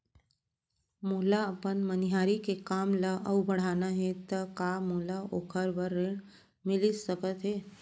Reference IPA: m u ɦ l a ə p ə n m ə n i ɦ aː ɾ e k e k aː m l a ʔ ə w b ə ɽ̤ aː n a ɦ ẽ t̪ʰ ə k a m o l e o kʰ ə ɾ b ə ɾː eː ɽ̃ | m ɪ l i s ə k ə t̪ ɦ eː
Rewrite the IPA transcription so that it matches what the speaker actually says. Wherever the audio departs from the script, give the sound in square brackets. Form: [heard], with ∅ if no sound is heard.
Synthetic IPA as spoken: m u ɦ l a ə p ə n m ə n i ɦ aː ɾ [i] k e k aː m l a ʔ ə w b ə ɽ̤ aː n a ɦ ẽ [t̪] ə k a m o l [a] o kʰ ə ɾ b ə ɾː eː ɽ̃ | m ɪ l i s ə k ə t̪ ɦ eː